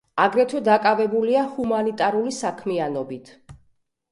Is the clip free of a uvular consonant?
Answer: yes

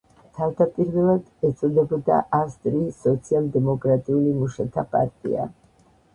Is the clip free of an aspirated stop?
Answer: no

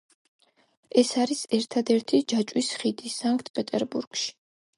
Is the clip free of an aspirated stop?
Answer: no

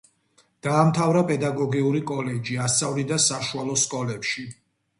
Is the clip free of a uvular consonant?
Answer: yes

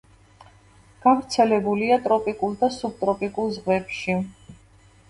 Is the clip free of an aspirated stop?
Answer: yes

